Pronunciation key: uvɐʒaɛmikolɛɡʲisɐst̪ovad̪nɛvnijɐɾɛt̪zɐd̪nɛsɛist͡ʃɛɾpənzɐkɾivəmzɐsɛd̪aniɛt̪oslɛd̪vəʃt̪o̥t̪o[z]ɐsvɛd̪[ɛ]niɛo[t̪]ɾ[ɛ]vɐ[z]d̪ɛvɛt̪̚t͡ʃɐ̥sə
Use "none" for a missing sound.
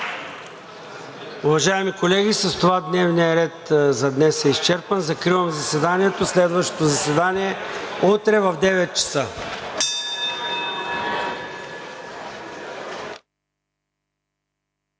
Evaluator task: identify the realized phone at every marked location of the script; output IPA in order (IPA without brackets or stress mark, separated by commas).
z, a, t̪, ɛ, v